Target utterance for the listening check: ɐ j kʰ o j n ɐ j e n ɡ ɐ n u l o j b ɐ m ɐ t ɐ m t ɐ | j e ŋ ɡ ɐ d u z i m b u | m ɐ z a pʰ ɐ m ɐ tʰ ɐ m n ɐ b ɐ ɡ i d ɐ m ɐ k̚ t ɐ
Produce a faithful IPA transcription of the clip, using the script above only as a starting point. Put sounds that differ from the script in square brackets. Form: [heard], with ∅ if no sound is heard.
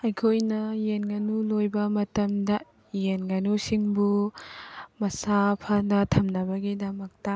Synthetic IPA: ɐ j kʰ o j n ɐ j e n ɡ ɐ n u l o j b ɐ m ɐ t ɐ m [d] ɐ | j e [n] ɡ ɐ [n] u [s] i [ŋ] b u | m ɐ [s] a pʰ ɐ [n] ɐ tʰ ɐ m n ɐ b ɐ ɡ i d ɐ m ɐ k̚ t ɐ